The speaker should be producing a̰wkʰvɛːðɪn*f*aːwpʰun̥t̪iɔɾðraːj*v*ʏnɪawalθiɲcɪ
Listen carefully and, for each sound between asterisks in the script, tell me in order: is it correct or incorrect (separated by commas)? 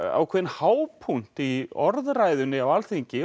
incorrect, incorrect